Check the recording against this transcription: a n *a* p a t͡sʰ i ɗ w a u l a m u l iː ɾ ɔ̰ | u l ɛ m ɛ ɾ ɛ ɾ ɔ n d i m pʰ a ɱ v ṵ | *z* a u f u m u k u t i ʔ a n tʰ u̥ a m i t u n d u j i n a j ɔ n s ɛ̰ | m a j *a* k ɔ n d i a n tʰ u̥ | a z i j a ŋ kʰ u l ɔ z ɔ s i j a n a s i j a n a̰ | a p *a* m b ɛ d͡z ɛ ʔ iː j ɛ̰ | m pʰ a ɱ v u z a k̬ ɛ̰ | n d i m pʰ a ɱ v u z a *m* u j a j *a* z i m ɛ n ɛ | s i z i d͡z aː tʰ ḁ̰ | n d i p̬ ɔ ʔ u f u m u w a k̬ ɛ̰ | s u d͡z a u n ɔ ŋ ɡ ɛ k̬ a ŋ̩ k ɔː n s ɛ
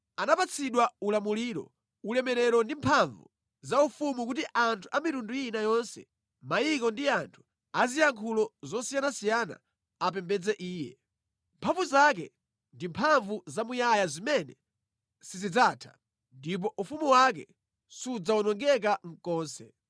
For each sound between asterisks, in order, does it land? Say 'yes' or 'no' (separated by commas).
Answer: yes, yes, no, no, yes, yes